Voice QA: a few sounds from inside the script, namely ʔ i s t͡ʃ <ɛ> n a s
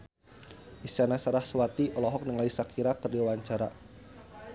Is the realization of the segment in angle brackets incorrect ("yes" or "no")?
yes